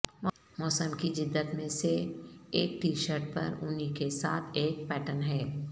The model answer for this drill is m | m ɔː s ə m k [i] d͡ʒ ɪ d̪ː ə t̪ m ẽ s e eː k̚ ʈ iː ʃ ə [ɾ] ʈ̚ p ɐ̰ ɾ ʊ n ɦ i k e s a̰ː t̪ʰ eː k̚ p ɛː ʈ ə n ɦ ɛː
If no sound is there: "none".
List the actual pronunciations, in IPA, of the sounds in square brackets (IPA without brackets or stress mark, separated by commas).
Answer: i, ɾ